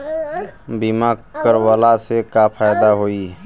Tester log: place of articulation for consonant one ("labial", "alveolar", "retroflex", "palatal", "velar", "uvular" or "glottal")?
labial